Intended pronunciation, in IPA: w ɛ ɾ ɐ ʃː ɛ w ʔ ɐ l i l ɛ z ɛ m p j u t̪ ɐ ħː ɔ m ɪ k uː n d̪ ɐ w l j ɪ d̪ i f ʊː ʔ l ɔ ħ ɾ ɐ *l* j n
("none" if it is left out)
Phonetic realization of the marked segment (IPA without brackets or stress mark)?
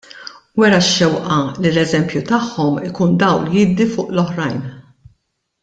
none